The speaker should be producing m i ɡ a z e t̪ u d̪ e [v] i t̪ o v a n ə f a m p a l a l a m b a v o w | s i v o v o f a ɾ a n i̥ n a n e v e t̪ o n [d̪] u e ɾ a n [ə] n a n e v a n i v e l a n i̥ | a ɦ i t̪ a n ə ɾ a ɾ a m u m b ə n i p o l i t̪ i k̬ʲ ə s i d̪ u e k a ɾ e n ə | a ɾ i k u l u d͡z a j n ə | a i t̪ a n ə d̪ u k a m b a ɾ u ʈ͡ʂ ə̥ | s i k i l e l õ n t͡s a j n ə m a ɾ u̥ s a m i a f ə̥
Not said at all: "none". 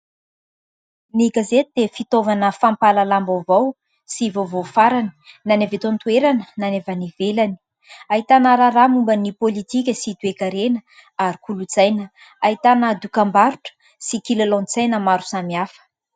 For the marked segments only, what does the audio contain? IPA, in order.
f, t̪, ə

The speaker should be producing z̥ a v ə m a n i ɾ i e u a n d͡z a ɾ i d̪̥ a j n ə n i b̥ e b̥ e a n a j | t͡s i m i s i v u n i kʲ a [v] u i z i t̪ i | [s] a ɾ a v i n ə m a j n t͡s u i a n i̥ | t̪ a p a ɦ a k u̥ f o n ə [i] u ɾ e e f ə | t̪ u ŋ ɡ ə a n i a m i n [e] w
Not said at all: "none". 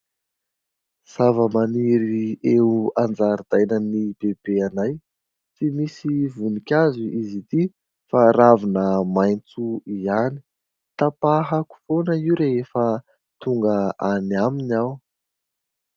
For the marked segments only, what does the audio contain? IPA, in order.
z, f, i, a

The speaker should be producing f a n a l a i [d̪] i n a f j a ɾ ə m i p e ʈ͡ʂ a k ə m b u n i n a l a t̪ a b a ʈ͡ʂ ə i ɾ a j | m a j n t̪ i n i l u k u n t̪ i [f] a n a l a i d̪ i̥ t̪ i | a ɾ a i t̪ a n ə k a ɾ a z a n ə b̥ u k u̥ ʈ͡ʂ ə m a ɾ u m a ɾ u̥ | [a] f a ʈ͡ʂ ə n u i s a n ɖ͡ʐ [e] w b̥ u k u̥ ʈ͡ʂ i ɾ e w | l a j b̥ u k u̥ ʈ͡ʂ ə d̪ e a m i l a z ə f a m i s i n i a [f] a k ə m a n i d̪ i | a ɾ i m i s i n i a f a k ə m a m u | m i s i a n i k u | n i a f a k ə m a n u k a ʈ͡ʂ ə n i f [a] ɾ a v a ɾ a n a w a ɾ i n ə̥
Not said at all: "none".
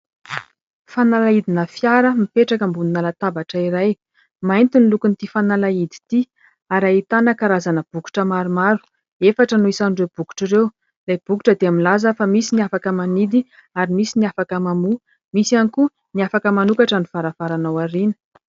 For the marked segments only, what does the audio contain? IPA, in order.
d̪, f, e, e, f, a

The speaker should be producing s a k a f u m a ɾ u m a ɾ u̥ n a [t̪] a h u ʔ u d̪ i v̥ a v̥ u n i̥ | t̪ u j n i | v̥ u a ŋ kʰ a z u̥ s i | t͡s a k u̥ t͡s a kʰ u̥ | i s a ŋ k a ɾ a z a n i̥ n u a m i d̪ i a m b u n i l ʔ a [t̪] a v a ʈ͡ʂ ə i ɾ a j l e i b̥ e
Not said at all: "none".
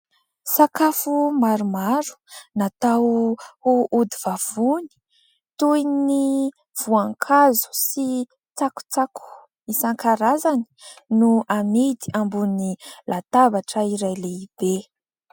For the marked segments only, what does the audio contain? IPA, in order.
t̪, t̪

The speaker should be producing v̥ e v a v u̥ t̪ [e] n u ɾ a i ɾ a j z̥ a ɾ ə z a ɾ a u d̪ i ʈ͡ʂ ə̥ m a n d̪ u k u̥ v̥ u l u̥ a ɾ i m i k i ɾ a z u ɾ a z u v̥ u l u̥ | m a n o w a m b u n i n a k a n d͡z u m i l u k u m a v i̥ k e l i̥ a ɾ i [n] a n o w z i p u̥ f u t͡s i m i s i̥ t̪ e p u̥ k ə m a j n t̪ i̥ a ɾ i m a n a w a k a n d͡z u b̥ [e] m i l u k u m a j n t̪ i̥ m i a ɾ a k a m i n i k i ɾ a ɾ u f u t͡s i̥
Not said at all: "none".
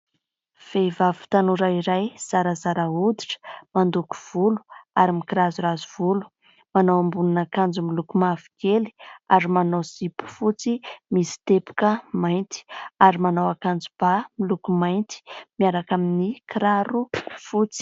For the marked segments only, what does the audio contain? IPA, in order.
a, m, a

